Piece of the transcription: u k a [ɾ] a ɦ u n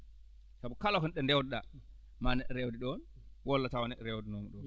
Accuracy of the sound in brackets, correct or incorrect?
incorrect